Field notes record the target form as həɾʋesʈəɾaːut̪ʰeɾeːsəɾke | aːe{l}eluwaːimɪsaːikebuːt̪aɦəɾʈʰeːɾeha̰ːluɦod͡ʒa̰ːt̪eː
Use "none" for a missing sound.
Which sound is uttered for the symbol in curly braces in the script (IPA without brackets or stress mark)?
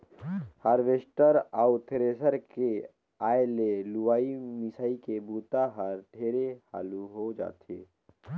l